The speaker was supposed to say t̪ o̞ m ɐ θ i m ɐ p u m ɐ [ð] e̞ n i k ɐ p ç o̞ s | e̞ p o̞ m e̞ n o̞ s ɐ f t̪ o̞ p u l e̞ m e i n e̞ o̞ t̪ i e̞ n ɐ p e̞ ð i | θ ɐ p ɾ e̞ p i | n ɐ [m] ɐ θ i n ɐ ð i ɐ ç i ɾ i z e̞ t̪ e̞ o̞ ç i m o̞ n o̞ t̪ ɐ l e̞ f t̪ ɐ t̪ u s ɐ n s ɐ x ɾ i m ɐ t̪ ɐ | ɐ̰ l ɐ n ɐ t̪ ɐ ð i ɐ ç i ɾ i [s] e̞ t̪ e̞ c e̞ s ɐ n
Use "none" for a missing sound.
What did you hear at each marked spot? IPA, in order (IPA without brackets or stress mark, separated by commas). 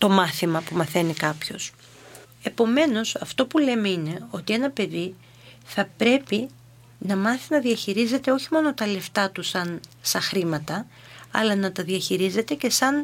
θ, m, z